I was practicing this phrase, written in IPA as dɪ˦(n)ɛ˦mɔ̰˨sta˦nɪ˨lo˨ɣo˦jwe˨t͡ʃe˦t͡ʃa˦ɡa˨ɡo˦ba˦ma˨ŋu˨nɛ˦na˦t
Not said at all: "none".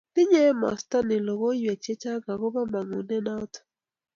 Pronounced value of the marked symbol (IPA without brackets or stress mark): ɲ